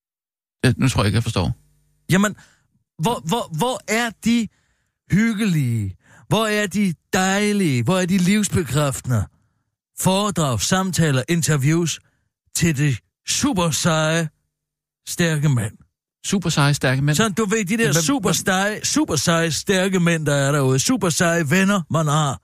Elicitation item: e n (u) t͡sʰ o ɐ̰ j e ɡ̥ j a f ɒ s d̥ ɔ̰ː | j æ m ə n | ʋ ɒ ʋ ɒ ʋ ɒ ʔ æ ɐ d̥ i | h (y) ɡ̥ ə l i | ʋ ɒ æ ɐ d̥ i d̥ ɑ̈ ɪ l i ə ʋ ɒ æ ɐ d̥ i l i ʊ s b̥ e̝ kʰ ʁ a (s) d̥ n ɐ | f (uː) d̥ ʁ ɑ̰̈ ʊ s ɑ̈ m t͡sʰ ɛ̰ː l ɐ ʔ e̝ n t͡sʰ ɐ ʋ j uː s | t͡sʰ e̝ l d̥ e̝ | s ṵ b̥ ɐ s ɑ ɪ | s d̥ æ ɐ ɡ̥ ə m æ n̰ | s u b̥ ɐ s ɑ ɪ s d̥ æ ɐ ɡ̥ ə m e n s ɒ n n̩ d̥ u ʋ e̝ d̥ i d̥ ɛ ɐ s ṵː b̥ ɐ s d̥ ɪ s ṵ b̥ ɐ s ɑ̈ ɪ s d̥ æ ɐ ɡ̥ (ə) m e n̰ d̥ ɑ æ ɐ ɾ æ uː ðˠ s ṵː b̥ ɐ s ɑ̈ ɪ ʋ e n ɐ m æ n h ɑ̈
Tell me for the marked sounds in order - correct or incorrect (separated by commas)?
correct, correct, incorrect, incorrect, correct